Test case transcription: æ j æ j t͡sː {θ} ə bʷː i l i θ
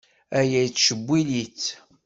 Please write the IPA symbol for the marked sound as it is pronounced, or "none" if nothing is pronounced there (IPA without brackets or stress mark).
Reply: ʃ